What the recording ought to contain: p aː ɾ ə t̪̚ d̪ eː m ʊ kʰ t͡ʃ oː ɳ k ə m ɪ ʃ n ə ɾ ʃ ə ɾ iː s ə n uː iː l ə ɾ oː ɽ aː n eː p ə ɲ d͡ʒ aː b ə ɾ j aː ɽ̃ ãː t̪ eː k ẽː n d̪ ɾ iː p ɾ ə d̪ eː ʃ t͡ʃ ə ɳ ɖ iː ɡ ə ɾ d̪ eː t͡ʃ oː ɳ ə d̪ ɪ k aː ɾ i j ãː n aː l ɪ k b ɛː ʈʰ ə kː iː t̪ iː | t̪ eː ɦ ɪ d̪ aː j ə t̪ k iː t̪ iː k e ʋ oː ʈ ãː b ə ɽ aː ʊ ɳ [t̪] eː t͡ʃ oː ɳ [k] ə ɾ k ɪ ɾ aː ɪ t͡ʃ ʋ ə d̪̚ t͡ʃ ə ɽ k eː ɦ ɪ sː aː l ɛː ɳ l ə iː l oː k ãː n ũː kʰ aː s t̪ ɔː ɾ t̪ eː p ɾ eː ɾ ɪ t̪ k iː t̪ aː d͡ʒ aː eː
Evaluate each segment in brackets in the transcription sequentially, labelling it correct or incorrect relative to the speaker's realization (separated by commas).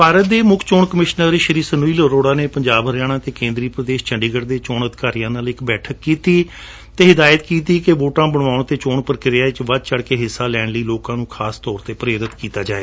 correct, incorrect